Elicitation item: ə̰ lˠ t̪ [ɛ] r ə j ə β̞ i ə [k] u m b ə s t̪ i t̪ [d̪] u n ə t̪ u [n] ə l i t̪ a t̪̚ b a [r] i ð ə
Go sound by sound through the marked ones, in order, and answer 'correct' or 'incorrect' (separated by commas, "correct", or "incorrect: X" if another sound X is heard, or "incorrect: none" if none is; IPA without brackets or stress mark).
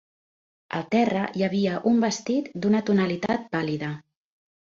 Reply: correct, incorrect: ʔ, correct, correct, incorrect: l